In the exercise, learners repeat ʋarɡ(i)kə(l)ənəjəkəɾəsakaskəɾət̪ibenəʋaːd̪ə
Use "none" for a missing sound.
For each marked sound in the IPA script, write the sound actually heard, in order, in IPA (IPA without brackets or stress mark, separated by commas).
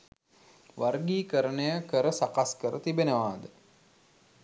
iː, ɾ